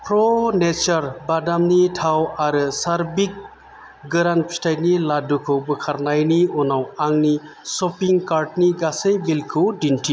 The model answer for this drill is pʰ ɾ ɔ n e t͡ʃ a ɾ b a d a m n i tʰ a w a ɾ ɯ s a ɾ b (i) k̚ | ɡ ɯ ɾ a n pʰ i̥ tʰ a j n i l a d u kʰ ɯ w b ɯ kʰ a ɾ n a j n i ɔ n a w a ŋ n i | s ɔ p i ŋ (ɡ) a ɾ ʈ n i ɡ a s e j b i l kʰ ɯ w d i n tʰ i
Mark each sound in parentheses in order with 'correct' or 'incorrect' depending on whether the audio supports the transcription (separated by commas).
correct, incorrect